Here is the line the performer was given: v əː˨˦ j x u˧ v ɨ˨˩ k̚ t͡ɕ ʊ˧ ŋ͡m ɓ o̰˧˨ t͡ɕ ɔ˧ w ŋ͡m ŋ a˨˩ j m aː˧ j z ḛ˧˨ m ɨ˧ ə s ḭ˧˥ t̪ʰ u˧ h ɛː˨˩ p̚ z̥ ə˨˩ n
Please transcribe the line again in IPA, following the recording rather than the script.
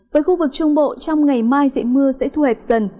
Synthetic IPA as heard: v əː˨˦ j x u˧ v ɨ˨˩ k̚ t͡ɕ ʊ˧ ŋ͡m ɓ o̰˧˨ t͡ɕ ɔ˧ w ŋ͡m ŋ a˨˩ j m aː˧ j z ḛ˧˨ m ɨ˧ ə s ɛ̰˧˥ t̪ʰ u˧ h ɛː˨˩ p̚ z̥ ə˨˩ n